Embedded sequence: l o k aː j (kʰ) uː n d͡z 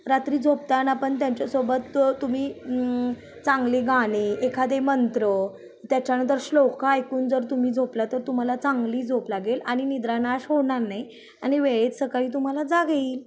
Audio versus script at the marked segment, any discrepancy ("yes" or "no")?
yes